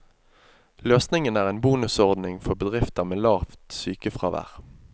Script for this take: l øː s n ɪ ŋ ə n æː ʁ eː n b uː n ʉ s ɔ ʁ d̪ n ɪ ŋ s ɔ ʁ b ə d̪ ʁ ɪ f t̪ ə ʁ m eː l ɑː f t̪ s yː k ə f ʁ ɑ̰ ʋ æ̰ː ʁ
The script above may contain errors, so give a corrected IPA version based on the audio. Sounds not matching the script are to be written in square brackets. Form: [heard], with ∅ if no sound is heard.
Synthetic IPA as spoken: l øː s n ɪ ŋ ə n æː ʁ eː n b uː n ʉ s ɔ ʁ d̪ n ɪ ŋ [f] ɔ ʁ b ə d̪ ʁ ɪ f t̪ ə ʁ m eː l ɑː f t̪ s yː k ə f ʁ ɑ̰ ʋ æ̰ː ʁ